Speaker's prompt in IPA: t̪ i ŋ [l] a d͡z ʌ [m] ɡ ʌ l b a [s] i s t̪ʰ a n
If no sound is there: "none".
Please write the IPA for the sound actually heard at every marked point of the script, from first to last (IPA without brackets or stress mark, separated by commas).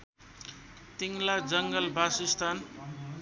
l, ŋ, s